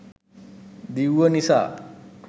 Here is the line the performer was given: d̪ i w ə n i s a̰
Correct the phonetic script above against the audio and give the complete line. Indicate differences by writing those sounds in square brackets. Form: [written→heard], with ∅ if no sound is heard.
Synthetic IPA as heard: d̪ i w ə n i s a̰